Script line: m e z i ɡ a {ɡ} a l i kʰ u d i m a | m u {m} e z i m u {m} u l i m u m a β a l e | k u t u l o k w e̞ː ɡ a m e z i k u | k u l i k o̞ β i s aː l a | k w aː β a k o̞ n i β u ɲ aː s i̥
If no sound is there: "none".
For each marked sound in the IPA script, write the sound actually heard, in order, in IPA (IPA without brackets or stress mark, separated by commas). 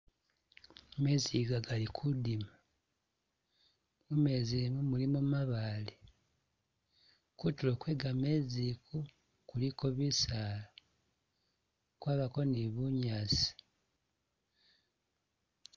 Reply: ɡ, m, m